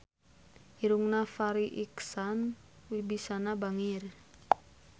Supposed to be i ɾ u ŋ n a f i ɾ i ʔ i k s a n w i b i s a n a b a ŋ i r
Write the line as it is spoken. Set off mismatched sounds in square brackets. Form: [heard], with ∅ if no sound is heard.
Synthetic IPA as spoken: i ɾ u ŋ n a f [a] ɾ i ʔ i k s a n w i b i s a n a b a ŋ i r

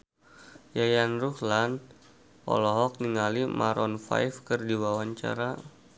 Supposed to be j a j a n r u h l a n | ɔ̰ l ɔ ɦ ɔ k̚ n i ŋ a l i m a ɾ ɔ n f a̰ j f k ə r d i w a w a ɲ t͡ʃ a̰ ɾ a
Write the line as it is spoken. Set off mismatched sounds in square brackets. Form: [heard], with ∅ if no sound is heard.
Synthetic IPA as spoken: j a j a n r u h l a n | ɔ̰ l ɔ ɦ ɔ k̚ n i ŋ a l i m a ɾ ɔ n f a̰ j f k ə r d i w a w a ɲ t͡ʃ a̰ ɾ a

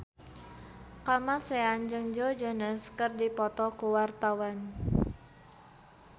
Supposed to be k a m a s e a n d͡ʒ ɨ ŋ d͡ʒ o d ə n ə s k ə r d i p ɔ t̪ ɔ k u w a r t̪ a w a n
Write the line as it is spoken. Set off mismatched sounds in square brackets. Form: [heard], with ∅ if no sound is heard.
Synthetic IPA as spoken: k a m a s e a n d͡ʒ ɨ ŋ d͡ʒ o [d͡ʒ] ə n ə s k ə r d i p ɔ t̪ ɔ k u w a r t̪ a w a n

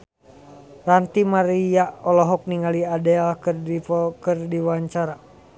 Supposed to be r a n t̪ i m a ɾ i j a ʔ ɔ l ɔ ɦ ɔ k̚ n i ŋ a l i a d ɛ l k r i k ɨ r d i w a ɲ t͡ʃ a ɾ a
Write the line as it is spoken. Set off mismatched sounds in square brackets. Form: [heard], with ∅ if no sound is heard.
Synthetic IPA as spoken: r a n t̪ i m a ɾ i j a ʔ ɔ l ɔ ɦ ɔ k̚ n i ŋ a l i a d ɛ l k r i k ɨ r d i w a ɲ t͡ʃ a ɾ a

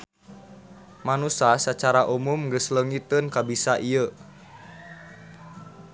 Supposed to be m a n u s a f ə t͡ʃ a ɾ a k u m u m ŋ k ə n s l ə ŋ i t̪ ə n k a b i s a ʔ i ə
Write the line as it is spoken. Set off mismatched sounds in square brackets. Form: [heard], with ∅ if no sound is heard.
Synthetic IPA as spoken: m a n u s a [s] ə t͡ʃ a ɾ a [ʔ] u m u m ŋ [ɡ] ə [∅] s l ə ŋ i t̪ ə n k a b i s a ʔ i ə

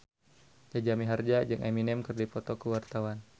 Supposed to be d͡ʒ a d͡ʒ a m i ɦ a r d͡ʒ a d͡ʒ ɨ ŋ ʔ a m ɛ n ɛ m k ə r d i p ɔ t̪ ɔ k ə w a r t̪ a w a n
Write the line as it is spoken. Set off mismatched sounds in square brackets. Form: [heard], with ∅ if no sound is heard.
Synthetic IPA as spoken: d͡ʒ a d͡ʒ a m i ɦ a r d͡ʒ a d͡ʒ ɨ ŋ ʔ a m [i] n ɛ m k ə r d i p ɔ t̪ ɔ k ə w a r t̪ a w a n

